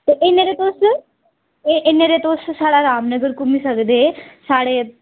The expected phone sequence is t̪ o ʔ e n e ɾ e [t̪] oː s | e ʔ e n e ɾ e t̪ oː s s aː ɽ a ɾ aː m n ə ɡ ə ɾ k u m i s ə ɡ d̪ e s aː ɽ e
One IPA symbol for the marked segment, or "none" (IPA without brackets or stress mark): t̪